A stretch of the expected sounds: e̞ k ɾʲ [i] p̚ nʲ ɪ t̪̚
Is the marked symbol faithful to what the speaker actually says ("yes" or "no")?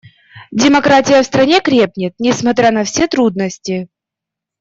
no